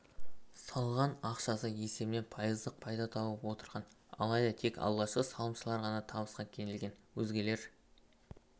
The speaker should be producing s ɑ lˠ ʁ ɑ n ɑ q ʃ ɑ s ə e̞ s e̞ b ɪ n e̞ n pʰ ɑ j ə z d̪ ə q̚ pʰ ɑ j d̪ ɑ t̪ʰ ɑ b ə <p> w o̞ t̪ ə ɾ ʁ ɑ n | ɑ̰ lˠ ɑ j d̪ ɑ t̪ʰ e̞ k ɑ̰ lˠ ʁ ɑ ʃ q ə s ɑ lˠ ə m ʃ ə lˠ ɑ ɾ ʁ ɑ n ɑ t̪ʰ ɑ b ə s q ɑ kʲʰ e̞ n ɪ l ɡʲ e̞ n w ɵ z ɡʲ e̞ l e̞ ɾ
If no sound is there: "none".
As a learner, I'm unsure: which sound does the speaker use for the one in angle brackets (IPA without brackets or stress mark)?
p